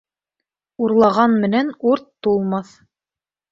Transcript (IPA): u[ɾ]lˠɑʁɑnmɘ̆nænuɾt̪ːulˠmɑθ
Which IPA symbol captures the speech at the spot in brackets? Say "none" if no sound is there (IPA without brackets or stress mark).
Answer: ɾ